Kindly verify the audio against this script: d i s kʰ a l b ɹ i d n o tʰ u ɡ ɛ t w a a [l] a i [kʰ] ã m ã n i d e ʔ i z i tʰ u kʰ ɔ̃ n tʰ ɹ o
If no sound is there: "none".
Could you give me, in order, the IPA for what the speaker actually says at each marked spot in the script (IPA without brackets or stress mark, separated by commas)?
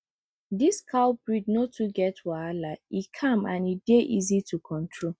l, kʰ